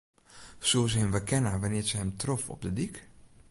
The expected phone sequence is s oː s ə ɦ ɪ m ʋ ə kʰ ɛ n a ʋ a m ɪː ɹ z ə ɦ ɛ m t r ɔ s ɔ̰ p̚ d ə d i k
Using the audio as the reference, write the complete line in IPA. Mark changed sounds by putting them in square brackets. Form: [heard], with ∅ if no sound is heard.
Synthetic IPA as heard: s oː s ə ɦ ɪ m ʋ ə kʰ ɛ n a ʋ a [n] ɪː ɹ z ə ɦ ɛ m t r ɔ [f] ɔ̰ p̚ d ə d i k